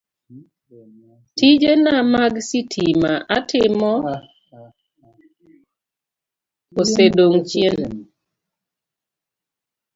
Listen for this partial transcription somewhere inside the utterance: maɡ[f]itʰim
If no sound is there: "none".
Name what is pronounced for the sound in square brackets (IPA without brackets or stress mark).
s